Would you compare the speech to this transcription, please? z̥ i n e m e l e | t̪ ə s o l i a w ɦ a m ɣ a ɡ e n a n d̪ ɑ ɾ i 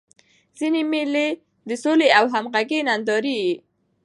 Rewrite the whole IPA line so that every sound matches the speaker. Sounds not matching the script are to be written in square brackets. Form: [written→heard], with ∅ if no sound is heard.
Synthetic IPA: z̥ i n e m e l e | [t̪→d̪] ə s o l [i→e] a w ɦ a m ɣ a ɡ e n a n d̪ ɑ ɾ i